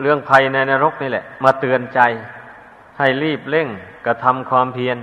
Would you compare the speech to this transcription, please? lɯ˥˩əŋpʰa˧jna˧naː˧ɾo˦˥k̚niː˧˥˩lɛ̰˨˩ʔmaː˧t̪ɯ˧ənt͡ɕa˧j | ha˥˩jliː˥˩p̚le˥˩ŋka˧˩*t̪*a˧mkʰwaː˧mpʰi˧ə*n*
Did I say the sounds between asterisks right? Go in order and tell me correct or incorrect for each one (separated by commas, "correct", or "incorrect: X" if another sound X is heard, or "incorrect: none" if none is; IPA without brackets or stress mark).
incorrect: t̪ʰ, correct